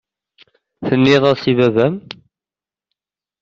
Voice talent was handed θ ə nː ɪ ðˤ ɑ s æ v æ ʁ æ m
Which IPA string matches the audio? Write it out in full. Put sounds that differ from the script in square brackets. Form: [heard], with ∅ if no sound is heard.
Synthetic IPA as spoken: θ ə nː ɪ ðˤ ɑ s [i] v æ [v] æ m